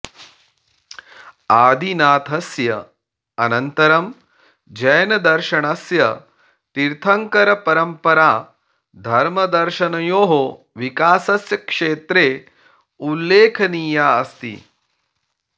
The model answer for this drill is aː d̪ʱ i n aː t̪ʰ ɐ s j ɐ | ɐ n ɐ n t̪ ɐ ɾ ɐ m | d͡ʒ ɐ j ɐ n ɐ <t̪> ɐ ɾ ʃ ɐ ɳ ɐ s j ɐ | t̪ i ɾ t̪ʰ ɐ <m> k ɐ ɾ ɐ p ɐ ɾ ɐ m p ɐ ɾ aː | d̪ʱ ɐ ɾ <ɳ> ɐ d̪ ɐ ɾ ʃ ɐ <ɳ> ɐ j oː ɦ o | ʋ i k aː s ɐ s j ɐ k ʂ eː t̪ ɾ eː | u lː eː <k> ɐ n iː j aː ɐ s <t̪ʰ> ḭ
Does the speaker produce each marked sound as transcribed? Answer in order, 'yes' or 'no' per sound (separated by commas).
no, no, no, no, no, no